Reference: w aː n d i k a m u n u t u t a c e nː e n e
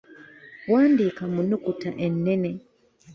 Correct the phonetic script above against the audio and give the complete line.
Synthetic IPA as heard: w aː n d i k a m u n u k u t a ʔ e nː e n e

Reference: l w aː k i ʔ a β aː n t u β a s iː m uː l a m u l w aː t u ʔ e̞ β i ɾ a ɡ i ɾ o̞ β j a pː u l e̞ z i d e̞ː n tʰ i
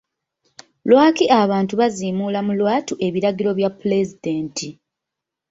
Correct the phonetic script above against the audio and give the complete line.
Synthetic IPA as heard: l w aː k i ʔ a β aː n t u β a z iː m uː l a m u l w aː t u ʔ e̞ β i ɾ a ɡ i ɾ o̞ β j a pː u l e̞ z i d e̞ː n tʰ i

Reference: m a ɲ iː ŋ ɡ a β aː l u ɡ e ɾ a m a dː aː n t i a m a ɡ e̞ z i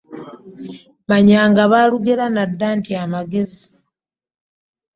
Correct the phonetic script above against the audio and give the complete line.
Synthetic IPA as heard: m a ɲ aː ŋ ɡ a β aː l u ɡ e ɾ a n a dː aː n t i a m a ɡ e̞ z i

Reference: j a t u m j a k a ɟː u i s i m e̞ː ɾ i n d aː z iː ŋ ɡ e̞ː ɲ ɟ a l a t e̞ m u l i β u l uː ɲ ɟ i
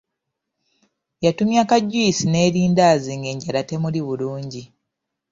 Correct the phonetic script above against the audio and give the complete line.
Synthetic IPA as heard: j a t u m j a k a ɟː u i s i n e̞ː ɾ iː n d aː z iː ŋ ɡ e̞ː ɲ ɟ a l a t e̞ m u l i β u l uː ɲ ɟ i

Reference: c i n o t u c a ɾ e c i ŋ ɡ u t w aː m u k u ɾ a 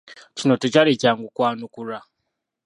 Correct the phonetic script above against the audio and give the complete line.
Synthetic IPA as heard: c i n o t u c a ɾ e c a ŋ ɡ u k w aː n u k u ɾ a

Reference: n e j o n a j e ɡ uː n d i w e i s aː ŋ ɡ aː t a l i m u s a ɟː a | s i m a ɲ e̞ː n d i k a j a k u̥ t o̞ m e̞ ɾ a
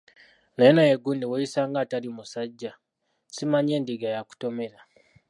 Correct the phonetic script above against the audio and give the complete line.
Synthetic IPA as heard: n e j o n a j e ɡ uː n d i w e i s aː ŋ ɡ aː t a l i m u s a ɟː a | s i m a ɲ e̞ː n d i ɡ a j a k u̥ t o̞ m e̞ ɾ a

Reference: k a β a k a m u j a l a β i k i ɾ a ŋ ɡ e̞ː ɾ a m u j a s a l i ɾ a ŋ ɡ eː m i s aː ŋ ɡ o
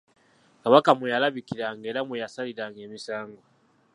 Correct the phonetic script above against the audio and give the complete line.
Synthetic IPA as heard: k a β a k a m u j a l a β i k i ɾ a ŋ ɡ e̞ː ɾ a m u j a s a l i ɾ a ŋ ɡ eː m i s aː ŋ ɡ o

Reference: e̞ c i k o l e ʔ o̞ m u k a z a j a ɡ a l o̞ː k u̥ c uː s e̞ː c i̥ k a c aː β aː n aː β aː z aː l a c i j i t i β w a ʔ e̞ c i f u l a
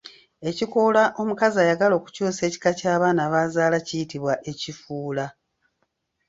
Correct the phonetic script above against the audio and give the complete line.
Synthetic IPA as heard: e̞ c i k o l a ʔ o̞ m u k a z a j a ɡ a l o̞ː k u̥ c uː s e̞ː c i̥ k a c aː β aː n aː β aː z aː l a c i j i t i β w a ʔ e̞ c i f uː l a

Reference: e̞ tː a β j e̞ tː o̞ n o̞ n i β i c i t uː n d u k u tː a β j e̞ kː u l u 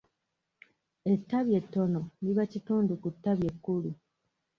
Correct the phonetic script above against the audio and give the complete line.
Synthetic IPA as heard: e̞ tː a β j e̞ tː o̞ n o̞ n i β a c i t uː n d u k u tː a β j e̞ kː u l u

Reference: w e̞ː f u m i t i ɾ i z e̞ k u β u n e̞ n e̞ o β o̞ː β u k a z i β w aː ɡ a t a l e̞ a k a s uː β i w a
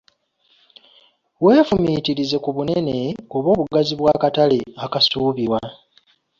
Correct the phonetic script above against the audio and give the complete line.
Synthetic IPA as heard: w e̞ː f u m i t i ɾ i z e̞ k u β u n e̞ n e̞ o β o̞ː β u ɡ a z i β w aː k a t a l e̞ a k a s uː β i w a

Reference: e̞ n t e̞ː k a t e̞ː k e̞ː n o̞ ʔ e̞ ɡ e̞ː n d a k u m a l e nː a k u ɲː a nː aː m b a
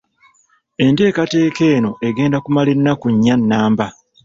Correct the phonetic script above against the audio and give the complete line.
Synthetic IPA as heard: e̞ n t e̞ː k a t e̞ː k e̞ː n o̞ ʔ e̞ ɡ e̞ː n d a k u m a l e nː a k u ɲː a nː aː m b a

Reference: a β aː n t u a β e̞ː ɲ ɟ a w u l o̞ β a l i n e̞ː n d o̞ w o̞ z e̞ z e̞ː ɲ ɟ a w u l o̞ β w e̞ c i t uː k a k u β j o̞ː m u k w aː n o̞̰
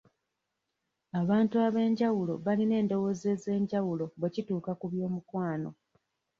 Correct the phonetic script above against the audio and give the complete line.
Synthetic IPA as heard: a β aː n t u a β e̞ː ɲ ɟ a w u l o̞ β a l i n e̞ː n d o̞ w o̞ z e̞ z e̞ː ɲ ɟ a w u l o̞ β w e̞ c i t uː k a k u β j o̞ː m u k w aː n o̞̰

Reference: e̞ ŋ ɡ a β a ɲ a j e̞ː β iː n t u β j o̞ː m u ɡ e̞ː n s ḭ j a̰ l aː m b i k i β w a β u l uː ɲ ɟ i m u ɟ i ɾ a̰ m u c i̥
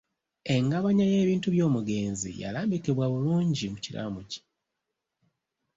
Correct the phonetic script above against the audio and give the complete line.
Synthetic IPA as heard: e̞ ŋ ɡ a β a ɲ a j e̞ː β iː n t u β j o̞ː m u ɡ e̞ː n z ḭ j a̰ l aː m b i k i β w a β u l uː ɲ ɟ i m u c i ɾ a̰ m u c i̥

